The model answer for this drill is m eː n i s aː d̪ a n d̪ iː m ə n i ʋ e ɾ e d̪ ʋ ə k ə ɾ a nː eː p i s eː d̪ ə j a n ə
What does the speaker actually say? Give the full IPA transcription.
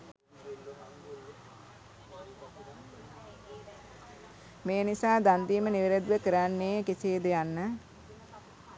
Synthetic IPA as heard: m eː n i s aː d̪ a n d̪ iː m ə n i ʋ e ɾ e d̪ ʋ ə k ə ɾ a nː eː k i s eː d̪ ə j a nː ə